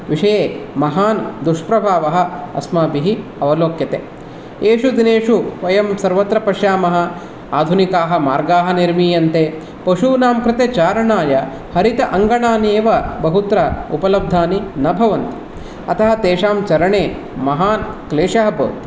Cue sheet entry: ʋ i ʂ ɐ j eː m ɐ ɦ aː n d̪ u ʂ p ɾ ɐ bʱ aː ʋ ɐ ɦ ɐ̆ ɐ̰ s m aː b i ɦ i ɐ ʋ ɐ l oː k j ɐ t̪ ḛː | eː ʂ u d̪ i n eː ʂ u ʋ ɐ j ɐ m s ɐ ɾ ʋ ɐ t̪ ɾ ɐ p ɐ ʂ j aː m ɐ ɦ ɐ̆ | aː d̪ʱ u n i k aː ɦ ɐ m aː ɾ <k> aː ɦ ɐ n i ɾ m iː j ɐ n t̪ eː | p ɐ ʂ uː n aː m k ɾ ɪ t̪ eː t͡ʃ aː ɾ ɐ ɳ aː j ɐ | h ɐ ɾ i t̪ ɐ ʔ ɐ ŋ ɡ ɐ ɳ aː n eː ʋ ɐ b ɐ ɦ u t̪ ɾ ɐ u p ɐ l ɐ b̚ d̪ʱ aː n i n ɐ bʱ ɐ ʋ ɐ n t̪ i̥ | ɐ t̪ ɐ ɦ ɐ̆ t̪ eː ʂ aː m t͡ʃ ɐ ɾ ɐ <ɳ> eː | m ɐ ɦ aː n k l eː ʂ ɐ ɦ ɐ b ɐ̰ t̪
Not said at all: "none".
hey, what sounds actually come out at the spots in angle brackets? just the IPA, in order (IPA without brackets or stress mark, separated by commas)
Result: ɡ, ɳ